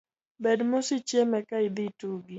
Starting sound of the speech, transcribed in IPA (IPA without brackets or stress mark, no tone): b